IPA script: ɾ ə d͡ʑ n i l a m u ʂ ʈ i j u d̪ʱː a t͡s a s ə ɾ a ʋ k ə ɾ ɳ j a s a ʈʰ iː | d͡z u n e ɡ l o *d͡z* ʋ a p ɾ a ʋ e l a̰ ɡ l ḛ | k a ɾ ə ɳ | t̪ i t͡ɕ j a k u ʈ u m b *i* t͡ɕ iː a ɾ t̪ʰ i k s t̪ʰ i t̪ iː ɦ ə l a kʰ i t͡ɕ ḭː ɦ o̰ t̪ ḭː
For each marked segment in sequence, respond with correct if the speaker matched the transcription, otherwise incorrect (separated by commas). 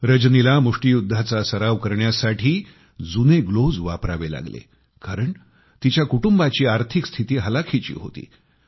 correct, incorrect